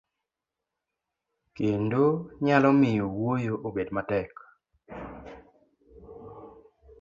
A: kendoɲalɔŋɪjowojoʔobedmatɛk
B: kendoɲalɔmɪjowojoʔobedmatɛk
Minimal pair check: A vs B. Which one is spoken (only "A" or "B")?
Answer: B